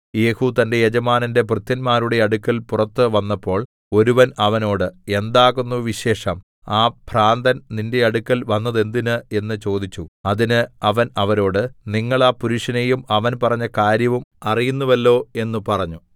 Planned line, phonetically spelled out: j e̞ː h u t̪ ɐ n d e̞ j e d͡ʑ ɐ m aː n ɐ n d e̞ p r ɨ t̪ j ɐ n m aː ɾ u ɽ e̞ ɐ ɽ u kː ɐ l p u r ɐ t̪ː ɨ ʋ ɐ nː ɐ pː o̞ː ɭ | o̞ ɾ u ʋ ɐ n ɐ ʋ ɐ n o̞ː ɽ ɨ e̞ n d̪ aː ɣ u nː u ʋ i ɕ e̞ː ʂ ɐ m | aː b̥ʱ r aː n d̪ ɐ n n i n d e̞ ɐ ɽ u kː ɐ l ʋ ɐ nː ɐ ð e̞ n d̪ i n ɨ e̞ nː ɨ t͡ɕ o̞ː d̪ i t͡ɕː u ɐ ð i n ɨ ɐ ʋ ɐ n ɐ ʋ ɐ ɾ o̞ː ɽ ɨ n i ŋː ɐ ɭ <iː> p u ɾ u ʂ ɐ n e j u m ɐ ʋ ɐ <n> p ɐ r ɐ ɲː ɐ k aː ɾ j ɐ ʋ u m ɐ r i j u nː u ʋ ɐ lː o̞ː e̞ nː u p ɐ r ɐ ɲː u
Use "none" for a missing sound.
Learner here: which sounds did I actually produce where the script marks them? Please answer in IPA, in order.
aː, n

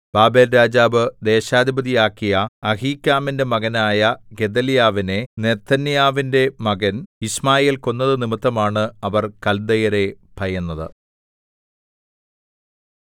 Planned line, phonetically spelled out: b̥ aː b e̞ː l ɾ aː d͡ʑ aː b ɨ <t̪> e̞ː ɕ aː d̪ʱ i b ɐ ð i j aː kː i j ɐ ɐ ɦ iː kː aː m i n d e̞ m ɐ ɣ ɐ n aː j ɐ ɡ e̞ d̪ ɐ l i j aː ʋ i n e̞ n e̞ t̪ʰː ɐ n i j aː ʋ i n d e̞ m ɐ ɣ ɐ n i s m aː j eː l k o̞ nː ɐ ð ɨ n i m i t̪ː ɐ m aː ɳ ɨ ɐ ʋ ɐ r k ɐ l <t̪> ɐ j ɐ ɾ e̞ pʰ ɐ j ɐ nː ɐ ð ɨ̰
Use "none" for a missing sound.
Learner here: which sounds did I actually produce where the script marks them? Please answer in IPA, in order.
d̪, d̪

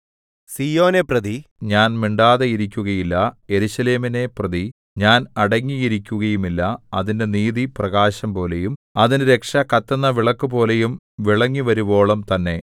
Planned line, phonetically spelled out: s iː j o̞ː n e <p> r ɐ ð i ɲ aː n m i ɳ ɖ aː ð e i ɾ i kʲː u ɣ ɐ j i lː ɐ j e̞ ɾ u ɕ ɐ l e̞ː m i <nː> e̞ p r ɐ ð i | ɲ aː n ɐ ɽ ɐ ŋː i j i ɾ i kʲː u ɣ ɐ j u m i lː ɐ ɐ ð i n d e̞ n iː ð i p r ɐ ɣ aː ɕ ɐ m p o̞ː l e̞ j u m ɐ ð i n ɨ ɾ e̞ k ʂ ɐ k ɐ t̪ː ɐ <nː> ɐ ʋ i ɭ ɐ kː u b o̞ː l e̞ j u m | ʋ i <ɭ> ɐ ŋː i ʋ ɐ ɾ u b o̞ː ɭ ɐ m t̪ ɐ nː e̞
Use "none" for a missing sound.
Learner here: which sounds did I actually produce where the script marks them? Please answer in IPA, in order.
p, n, nː, ɭ

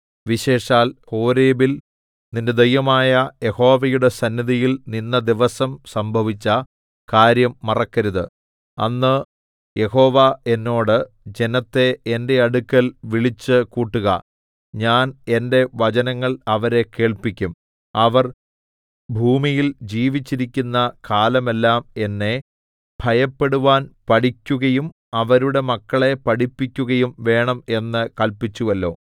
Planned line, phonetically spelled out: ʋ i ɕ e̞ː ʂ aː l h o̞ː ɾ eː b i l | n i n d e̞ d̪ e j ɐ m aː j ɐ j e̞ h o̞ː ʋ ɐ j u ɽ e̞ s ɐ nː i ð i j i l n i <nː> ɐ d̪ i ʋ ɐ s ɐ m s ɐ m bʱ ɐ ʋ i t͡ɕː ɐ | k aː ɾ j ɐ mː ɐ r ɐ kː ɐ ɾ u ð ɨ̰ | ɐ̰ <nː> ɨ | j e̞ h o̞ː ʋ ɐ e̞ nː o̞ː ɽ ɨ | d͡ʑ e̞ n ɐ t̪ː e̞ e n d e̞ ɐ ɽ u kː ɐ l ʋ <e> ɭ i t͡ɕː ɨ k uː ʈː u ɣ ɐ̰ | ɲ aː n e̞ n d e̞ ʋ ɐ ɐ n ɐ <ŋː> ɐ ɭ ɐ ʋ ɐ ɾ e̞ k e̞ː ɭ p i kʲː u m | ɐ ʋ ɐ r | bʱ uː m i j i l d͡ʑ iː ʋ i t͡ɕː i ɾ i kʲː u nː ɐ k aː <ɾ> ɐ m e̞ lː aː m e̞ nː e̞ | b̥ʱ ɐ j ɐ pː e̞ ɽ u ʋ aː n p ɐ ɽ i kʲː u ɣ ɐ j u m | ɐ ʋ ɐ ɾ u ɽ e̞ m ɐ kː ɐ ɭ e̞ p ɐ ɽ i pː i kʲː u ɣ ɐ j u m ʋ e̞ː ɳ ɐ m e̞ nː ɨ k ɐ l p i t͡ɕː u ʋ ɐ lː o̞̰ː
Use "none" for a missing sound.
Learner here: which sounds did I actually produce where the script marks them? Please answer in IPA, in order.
nː, nː, i, ŋː, l

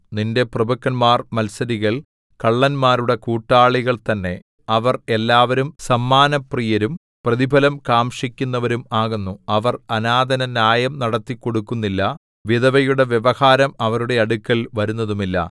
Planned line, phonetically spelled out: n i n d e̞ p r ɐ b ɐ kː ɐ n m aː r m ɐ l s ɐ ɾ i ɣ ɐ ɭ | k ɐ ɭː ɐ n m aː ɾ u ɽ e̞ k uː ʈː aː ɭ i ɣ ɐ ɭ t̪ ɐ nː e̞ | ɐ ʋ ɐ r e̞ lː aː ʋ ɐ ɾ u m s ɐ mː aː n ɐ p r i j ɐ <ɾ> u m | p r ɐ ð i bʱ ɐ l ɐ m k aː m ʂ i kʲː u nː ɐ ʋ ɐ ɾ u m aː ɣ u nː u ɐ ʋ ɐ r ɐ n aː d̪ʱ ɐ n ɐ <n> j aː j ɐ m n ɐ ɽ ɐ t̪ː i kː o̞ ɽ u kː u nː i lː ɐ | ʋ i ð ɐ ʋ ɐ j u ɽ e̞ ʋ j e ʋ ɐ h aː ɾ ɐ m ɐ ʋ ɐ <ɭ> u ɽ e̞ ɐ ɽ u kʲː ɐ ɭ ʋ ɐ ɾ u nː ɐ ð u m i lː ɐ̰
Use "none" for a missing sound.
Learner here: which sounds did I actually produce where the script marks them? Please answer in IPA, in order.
ɾ, n, ɾ

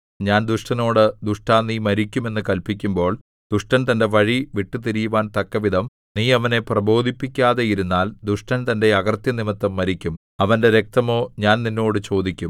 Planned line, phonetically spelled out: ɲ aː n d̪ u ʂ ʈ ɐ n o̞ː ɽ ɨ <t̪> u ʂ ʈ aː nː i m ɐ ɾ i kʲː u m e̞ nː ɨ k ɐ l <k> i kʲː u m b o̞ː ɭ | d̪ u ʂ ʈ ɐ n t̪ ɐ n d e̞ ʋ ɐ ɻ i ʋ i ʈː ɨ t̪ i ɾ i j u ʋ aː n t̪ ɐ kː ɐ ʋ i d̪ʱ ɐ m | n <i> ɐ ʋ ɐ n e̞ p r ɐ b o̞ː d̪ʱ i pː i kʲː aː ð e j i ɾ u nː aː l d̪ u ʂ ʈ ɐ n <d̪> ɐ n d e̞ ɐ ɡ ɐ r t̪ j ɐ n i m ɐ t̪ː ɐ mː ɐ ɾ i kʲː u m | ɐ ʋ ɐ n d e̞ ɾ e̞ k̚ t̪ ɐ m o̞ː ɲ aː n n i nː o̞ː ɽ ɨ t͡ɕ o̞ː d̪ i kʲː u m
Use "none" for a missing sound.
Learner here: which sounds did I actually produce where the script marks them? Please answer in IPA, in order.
d̪, p, iː, t̪

